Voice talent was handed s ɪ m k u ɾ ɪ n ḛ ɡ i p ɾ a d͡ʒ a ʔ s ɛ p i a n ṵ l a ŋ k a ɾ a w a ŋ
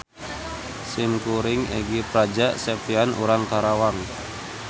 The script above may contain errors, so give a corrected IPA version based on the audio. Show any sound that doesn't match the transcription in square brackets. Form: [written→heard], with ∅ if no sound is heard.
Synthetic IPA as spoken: s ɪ m k u ɾ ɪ [n→ŋ] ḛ ɡ i p ɾ a d͡ʒ a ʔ s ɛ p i a n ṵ [l→ɾ] a ŋ k a ɾ a w a ŋ